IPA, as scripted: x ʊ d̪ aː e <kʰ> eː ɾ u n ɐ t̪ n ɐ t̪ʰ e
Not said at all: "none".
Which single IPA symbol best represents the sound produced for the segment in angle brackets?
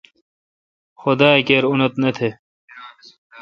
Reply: k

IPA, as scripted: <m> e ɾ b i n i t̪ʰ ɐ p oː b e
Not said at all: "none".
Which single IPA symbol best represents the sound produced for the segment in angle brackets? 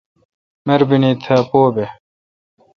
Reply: m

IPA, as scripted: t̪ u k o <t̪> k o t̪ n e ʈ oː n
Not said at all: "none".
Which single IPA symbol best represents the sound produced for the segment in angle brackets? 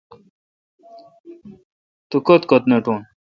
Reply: t̪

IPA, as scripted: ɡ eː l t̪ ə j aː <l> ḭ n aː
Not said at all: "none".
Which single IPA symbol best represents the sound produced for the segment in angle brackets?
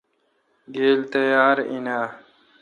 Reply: ɾ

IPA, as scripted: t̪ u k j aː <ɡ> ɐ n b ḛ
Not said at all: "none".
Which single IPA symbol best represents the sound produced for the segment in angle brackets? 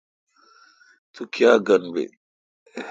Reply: ɡ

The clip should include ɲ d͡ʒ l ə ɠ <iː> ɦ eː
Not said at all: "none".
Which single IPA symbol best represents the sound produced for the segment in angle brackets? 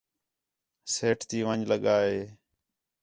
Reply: aː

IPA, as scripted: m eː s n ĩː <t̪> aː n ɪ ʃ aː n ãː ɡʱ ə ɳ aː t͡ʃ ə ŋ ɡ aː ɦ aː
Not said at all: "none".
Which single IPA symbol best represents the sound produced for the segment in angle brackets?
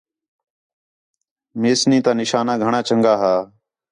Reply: t̪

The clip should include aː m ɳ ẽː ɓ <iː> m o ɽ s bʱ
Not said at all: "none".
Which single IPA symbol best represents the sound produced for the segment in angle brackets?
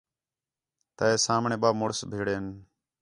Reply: aː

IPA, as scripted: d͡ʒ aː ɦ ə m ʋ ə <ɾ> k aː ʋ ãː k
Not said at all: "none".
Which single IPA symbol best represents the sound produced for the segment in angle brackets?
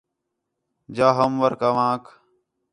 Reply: ɾ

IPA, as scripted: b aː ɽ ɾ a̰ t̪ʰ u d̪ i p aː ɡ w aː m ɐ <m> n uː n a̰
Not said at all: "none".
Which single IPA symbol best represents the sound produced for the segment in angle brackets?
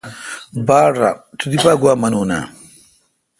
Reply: none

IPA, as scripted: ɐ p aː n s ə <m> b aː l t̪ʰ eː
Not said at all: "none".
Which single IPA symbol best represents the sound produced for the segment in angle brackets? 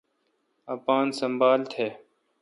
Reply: m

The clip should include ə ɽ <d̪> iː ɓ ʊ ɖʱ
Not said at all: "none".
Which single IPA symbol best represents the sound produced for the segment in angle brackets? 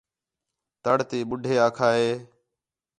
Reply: t̪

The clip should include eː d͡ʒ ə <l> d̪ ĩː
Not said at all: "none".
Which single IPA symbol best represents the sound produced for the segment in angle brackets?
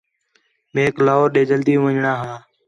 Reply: l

